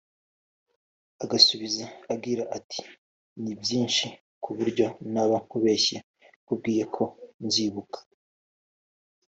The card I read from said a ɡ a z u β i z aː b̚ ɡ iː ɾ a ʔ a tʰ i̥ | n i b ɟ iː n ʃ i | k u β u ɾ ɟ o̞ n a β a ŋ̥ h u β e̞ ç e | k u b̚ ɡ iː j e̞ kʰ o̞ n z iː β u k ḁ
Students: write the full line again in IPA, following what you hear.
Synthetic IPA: a ɡ a s u β i z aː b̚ ɡ iː ɾ a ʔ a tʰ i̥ | n i b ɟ iː n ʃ i | k u β u ɾ ɟ o̞ n a β a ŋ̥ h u β e̞ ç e | k u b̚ ɡ iː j e̞ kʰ o̞ n z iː β u k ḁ